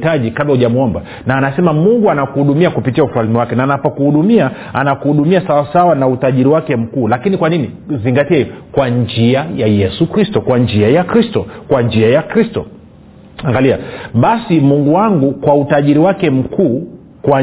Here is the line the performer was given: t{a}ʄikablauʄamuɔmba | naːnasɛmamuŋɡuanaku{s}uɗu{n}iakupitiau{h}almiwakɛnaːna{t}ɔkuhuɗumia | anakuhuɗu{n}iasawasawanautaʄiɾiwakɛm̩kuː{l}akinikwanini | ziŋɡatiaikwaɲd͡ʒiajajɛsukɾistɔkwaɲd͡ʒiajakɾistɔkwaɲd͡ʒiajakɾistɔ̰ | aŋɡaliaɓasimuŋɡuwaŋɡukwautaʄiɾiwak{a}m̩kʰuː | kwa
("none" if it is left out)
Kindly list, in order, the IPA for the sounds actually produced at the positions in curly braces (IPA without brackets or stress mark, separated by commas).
a, h, m, f, p, m, l, ɛ